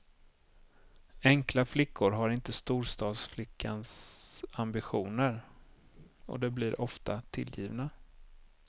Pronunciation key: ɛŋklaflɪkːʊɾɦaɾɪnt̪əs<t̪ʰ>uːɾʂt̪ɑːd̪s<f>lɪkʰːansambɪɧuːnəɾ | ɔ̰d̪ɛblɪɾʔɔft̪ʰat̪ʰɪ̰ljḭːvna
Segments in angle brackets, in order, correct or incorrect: incorrect, correct

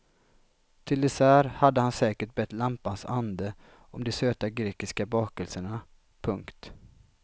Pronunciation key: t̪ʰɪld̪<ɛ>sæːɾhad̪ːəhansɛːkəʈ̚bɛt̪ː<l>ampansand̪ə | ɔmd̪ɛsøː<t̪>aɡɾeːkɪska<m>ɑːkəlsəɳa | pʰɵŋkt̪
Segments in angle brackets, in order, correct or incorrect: correct, correct, correct, incorrect

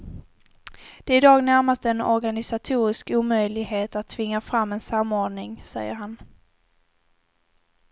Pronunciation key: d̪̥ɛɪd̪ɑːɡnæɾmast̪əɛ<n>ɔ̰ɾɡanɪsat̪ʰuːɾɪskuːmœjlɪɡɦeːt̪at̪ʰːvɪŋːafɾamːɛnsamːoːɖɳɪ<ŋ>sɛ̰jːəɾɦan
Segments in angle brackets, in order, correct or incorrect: correct, correct

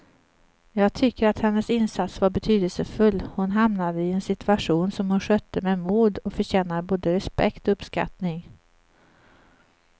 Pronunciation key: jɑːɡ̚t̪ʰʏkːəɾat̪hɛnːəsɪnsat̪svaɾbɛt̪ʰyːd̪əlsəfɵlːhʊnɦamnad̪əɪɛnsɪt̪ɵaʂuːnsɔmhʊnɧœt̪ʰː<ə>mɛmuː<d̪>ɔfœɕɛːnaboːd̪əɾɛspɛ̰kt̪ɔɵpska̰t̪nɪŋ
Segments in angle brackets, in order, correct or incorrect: correct, correct

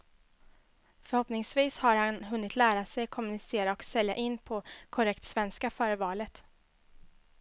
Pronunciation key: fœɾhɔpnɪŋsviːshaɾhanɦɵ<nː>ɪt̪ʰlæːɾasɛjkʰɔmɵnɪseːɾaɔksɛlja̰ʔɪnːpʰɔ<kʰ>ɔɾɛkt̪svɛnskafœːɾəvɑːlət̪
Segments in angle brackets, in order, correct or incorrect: correct, correct

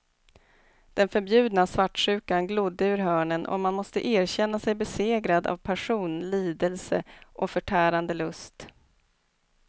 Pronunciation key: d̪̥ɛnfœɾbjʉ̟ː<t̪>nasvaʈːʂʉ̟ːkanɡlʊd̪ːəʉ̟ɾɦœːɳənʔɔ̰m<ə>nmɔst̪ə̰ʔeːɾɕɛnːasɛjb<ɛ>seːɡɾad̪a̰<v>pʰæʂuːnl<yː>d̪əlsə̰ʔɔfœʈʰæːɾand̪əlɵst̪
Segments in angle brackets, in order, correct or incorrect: incorrect, incorrect, correct, correct, incorrect

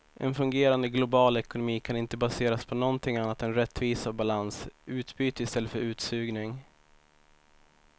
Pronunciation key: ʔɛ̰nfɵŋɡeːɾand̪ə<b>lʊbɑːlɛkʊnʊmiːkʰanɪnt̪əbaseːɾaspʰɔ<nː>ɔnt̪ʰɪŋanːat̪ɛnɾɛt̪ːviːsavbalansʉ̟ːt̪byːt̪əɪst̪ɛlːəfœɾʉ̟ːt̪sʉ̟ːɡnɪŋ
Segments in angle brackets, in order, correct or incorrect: incorrect, incorrect

